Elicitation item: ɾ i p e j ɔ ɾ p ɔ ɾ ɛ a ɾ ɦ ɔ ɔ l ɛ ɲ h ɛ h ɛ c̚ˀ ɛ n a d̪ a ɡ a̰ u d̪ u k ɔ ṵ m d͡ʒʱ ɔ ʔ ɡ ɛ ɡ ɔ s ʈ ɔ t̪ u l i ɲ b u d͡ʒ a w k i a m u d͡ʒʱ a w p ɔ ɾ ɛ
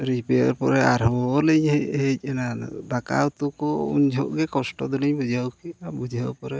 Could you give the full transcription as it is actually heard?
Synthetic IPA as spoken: ɾ i p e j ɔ ɾ p ɔ ɾ ɛ a ɾ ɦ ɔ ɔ l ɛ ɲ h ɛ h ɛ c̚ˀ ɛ n a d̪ a k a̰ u t̪ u k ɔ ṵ ɲ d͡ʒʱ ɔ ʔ ɡ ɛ k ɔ s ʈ ɔ d̪ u l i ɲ b u d͡ʒ a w k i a b u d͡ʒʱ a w p ɔ ɾ ɛ